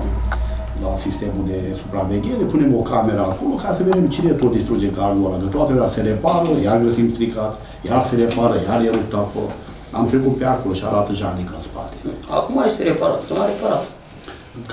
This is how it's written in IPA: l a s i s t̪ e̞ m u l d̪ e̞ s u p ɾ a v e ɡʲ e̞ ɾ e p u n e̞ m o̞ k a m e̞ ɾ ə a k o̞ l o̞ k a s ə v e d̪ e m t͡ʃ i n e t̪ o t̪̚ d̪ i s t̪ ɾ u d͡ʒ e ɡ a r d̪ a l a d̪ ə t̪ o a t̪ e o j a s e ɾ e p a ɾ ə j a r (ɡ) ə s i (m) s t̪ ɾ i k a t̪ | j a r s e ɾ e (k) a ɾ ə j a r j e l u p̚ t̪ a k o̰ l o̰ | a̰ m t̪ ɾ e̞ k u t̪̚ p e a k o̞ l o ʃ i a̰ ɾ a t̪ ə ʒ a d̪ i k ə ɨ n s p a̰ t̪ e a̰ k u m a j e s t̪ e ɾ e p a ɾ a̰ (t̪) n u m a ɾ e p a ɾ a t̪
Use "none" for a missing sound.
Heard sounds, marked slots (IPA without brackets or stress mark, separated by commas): ɡ, m, p, t̪